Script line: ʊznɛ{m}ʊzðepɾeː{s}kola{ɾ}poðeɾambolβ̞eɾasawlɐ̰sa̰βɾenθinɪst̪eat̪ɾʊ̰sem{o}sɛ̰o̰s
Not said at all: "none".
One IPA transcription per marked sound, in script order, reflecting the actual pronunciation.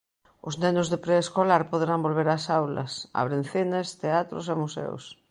n, s, ɾ, u

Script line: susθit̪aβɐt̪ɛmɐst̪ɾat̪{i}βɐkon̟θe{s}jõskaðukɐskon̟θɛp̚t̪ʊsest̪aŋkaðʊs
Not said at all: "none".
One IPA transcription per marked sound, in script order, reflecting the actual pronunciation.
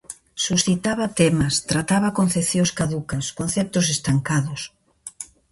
a, θ

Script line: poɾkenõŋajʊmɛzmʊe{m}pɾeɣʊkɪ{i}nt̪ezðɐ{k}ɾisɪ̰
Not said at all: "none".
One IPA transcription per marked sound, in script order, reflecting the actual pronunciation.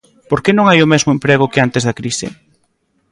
m, a, k

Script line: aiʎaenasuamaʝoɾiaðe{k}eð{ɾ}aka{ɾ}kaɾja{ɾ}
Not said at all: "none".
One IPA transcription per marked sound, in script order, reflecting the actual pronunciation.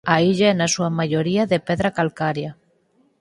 p, ɾ, l, none

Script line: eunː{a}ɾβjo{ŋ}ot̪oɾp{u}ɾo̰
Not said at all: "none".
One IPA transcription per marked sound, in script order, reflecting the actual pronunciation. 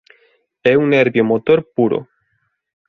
e, m, u

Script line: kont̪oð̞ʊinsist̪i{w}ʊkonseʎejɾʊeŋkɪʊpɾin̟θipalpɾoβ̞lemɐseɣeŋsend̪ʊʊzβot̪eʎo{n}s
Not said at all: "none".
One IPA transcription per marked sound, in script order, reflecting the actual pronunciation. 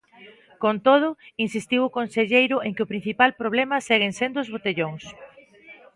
w, ŋ

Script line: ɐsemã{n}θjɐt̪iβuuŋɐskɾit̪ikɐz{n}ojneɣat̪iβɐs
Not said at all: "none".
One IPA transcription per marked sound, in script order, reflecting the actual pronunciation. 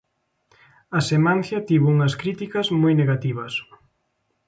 n, m

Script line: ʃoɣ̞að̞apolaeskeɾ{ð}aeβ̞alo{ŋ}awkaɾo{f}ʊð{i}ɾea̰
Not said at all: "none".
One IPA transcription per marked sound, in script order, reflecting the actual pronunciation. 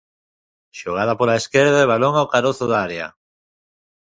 ð, ŋ, θ, a

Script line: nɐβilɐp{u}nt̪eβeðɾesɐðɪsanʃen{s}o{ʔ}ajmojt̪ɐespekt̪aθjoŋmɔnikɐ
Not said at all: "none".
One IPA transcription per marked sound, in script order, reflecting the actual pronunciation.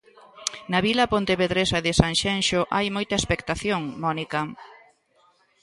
o, ʃ, ʔ

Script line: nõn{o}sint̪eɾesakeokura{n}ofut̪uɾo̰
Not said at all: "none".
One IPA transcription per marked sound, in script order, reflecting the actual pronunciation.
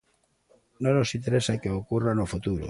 o, n

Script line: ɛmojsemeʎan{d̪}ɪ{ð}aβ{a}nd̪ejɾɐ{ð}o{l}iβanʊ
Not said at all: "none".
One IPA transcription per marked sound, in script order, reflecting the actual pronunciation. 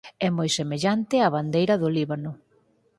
t̪, none, a, ð, l

